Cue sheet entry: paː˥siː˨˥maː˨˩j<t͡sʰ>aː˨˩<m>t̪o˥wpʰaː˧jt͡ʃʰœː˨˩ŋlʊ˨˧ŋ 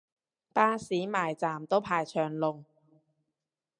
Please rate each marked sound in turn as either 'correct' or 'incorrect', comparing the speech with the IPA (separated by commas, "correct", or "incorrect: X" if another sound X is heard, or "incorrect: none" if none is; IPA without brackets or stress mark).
incorrect: t͡s, correct